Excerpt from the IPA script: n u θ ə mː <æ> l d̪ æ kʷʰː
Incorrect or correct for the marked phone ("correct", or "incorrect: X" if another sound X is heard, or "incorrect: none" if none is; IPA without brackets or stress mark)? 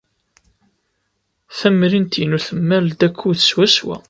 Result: correct